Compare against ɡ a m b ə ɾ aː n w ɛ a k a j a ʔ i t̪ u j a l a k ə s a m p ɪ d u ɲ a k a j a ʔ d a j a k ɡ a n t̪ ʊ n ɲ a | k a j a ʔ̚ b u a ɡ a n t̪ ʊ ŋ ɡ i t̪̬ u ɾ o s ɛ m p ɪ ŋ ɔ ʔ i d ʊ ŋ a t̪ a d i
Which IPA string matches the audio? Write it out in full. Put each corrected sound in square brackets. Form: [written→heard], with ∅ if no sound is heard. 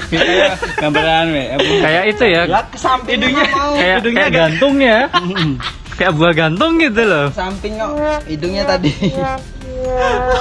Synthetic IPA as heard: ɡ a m b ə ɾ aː n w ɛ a k a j a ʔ i t̪ u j a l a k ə s a m p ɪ d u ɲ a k a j a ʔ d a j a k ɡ a n t̪ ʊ [n→ŋ] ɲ a | k a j a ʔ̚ b u a ɡ a n t̪ ʊ ŋ ɡ i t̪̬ u [ɾ→l] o s [ɛ→a] m p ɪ ŋ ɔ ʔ i d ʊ [ŋ→ɲ] a t̪ a d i